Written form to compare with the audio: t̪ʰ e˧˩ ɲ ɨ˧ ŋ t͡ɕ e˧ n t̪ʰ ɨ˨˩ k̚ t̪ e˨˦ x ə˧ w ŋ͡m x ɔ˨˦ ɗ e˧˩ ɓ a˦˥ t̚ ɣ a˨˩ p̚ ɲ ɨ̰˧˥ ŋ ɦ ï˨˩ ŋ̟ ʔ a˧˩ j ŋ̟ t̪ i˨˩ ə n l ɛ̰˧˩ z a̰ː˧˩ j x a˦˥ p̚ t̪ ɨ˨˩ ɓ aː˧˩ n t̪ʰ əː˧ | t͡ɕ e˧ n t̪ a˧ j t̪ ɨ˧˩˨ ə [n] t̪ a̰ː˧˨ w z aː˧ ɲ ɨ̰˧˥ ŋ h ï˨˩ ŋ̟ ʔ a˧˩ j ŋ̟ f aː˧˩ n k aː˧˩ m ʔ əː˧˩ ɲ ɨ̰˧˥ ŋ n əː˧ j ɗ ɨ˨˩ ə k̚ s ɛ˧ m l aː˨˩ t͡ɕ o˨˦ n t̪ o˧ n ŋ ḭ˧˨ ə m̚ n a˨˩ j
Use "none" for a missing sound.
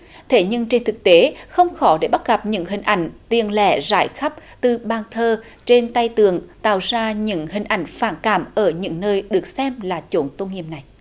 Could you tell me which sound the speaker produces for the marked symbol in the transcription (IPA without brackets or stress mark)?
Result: ŋ